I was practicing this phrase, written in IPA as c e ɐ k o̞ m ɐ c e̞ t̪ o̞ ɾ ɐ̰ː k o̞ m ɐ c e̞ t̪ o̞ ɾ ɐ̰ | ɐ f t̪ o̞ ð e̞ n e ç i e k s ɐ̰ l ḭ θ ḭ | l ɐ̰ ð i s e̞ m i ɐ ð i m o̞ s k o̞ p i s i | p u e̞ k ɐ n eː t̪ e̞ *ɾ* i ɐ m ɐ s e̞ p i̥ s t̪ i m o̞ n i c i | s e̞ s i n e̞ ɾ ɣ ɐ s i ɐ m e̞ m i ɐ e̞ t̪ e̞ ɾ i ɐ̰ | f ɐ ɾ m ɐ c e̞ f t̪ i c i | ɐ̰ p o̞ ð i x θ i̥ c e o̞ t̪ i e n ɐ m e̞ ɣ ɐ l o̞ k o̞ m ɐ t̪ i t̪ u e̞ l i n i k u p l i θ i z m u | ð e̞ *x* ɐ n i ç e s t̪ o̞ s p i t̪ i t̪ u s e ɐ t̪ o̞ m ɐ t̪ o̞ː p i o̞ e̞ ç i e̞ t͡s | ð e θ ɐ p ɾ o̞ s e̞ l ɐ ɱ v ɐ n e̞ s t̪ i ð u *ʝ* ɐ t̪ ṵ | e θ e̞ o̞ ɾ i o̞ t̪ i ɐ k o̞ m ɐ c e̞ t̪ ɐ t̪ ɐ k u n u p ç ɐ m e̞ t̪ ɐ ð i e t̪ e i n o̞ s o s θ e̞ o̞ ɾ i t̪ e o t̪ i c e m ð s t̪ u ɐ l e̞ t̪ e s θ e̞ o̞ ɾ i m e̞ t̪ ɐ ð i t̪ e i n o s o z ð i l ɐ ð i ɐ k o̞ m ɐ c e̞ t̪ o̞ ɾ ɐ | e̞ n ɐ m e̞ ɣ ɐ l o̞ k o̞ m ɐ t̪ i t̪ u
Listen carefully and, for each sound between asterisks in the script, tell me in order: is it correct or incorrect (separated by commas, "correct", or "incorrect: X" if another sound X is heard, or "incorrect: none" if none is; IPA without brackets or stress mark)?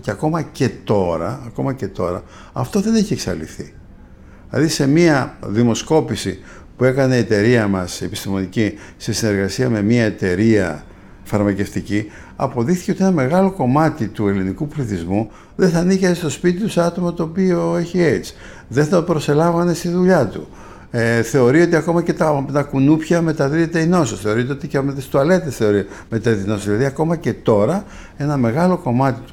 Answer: correct, incorrect: θ, incorrect: ʎ